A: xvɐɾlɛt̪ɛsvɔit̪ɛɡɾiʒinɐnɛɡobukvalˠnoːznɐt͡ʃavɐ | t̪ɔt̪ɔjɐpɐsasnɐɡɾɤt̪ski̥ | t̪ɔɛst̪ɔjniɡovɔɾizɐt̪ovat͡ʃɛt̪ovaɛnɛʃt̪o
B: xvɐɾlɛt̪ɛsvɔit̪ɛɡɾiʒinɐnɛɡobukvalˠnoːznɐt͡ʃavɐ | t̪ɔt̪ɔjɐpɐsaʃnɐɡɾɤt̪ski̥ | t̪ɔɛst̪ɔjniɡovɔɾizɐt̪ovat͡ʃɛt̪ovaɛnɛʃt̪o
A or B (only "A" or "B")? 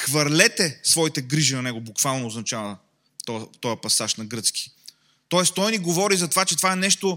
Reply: B